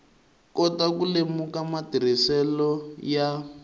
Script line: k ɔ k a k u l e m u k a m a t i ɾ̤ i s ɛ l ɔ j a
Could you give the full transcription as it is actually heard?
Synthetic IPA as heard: k ɔ t a k u l e m u k a m a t i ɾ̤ i s ɛ l ɔ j a